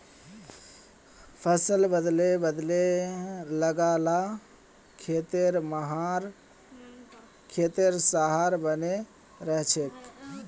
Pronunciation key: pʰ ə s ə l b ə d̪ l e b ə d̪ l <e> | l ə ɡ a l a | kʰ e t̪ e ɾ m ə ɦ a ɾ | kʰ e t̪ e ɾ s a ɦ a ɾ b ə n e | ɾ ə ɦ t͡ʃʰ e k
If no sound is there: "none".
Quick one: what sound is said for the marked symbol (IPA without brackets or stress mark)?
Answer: e